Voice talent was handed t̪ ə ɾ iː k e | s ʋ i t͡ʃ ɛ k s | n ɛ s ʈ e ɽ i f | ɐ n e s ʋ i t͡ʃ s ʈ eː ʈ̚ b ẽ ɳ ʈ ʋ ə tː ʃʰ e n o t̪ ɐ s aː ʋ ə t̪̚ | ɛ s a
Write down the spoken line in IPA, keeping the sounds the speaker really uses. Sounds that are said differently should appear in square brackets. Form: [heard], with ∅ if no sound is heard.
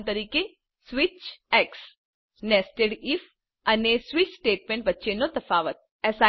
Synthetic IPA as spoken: t̪ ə ɾ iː k e | s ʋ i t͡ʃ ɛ k s | n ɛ s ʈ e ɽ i f | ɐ n e s ʋ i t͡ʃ s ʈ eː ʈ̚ [m] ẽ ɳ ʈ ʋ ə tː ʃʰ e n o t̪ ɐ [f] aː ʋ ə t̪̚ | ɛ s a